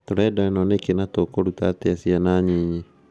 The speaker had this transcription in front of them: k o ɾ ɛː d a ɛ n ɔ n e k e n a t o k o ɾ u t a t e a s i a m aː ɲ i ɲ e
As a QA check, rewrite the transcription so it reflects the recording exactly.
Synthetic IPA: t o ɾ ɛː d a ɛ n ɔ n e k e n a t o k o ɾ u t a t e a s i a n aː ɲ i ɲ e